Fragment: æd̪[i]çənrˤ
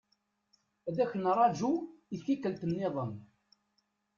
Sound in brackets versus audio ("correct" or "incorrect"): incorrect